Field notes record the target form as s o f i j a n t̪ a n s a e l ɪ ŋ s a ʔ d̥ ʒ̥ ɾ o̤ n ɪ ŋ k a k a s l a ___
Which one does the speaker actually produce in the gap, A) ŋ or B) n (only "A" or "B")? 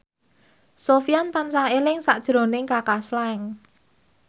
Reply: A